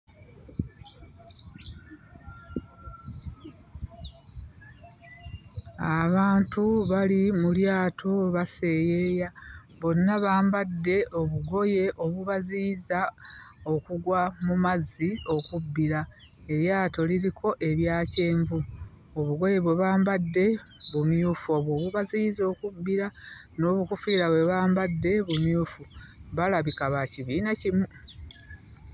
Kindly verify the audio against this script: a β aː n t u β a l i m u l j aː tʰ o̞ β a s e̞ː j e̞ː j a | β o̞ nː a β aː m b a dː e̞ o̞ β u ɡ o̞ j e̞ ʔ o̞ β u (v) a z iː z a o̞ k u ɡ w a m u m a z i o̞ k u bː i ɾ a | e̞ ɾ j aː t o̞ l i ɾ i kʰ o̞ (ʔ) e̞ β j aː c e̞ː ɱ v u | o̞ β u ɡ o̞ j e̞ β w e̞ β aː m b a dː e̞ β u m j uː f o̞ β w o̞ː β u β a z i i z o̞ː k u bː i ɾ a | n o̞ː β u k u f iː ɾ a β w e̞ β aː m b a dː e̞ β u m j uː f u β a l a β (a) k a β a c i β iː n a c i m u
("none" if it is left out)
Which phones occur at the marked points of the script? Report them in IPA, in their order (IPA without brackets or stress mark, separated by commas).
β, ʔ, i